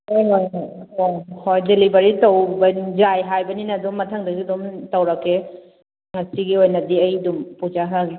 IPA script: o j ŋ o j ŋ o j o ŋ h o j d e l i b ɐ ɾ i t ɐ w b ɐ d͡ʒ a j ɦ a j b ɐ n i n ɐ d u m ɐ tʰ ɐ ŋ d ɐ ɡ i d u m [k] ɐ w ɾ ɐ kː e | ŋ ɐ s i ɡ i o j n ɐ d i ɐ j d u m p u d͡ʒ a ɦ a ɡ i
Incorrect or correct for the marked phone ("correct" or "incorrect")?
incorrect